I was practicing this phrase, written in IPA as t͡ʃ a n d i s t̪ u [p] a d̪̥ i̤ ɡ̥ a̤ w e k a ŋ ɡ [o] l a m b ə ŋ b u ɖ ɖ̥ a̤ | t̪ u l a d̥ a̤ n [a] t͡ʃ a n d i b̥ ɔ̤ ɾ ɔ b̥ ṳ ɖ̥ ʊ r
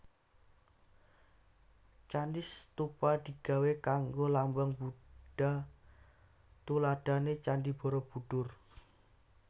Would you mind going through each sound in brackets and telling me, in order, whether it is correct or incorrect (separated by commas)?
correct, correct, incorrect